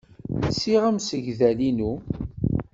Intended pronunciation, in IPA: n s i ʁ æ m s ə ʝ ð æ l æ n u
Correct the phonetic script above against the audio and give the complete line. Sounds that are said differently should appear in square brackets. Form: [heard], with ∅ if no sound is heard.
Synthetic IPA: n s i ʁ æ m s ə ʝ ð æ l [i] n u